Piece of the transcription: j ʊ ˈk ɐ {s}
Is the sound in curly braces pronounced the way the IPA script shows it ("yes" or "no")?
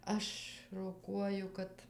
no